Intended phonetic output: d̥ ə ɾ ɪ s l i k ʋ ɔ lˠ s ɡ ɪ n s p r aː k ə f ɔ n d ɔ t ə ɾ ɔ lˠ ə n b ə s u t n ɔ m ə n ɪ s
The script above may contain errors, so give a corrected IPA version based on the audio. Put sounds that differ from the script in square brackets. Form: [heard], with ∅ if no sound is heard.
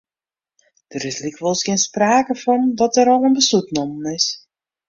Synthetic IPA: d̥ ə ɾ ɪ s l i k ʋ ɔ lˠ s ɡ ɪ n s p r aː k ə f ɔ n d ɔ t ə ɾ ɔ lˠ ə n b ə s u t n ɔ m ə n ɪ s